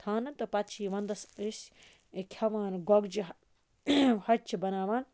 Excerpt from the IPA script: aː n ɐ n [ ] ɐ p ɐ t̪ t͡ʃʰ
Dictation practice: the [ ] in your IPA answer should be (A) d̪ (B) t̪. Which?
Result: B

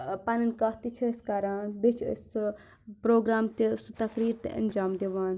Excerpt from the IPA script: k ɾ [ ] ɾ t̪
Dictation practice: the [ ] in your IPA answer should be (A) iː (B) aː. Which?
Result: A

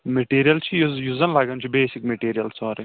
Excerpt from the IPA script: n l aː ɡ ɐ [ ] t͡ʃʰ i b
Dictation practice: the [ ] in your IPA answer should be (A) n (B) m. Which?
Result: A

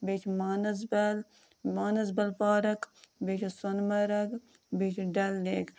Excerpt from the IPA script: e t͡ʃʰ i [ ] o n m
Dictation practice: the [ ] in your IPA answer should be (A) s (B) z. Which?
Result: A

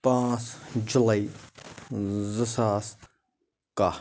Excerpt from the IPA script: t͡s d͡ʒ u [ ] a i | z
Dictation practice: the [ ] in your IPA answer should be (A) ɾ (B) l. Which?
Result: B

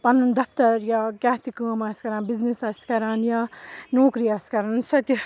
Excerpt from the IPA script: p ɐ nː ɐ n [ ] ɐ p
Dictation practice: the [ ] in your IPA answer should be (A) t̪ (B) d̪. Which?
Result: B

